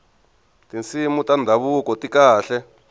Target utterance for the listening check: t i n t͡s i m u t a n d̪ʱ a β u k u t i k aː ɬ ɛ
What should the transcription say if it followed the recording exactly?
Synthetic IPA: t i n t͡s i m u t a n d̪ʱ a β u k ɔ t i k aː ɬ ɛ